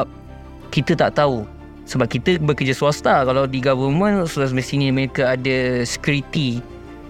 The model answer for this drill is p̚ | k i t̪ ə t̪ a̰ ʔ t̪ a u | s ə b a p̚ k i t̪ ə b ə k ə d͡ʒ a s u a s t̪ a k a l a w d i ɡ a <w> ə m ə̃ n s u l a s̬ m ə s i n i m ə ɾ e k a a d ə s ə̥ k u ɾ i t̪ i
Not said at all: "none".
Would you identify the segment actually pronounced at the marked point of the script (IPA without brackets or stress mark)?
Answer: v